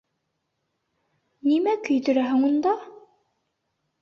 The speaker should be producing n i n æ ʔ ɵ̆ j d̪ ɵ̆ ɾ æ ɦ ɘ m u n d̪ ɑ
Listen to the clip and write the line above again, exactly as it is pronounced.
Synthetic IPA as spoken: n i m æ k ɵ̆ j t̪ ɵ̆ ɾ æ ɦ ɘ ŋ u n d̪ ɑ